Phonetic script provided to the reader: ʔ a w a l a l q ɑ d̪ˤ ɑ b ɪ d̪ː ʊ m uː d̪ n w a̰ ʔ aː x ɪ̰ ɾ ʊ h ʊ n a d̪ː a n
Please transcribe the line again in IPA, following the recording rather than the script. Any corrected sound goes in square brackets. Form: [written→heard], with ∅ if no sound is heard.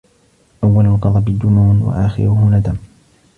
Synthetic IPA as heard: ʔ a [w→wː] a l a l q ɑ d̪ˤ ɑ b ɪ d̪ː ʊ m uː [d̪→∅] n w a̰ ʔ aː x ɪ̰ ɾ ʊ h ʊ n a [d̪ː→d̪] a [n→m]